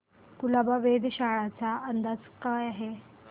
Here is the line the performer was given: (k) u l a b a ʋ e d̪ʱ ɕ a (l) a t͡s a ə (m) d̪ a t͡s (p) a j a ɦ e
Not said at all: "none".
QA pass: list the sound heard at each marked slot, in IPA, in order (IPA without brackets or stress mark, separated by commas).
k, ɭ, n, k